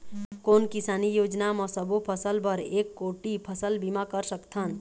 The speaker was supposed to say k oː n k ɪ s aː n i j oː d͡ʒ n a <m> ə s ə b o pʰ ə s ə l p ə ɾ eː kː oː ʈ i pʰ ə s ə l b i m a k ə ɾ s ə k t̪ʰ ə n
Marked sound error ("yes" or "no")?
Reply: no